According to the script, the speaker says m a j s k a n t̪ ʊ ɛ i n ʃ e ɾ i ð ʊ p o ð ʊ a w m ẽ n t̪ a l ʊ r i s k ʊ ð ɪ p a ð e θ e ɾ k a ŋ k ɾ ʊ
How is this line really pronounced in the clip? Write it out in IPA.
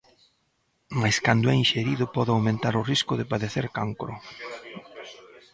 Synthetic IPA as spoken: m a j s k a n d̪ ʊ ɛ i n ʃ e ɾ i ð ʊ p ɔ ð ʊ a w m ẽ n t̪ a ɾ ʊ r i s k ʊ ð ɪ p a ð e θ e ɾ k a ŋ k ɾ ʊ